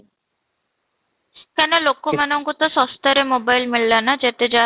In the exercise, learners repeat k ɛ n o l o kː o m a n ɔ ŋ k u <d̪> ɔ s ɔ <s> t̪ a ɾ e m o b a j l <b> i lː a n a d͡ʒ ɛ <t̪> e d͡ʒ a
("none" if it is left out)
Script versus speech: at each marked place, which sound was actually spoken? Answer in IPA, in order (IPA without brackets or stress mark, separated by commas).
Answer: t̪, s, m, t̪